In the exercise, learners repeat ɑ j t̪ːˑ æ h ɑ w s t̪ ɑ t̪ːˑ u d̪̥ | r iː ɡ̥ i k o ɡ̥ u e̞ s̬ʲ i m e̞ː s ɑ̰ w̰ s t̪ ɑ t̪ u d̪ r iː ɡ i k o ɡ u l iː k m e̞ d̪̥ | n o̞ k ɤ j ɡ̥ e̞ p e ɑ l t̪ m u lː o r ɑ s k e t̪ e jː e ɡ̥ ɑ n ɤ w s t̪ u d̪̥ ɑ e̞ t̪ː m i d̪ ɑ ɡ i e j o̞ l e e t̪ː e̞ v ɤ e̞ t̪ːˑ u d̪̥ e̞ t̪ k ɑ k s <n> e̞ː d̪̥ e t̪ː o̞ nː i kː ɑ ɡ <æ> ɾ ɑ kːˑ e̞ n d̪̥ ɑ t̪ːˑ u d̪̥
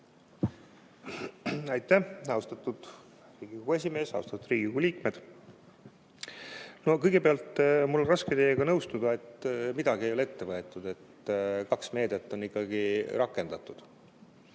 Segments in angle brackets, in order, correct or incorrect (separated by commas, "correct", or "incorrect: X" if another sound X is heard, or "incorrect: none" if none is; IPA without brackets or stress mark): incorrect: m, incorrect: i